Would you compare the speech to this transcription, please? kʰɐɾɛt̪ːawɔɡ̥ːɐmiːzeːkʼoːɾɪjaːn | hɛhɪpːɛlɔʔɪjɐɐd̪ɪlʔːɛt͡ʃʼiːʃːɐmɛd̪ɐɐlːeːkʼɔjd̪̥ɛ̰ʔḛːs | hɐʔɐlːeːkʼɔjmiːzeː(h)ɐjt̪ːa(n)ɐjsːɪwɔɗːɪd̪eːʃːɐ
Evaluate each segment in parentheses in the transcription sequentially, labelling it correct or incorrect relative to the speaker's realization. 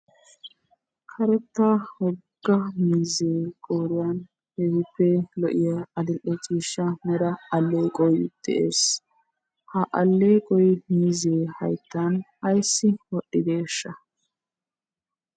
correct, correct

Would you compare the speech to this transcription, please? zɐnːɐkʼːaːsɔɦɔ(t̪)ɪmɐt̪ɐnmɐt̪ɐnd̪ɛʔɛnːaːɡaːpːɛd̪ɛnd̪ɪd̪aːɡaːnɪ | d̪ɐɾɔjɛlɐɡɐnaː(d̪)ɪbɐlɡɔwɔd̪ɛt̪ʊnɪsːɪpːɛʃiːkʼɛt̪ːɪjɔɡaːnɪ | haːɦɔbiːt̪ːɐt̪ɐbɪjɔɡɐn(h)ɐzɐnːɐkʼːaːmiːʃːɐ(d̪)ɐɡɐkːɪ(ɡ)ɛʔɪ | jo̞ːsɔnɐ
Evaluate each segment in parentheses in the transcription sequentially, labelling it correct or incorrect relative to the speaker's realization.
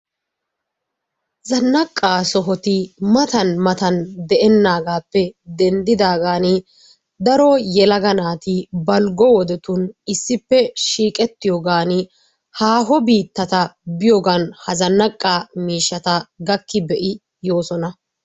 correct, incorrect: t̪, correct, incorrect: t̪, incorrect: b

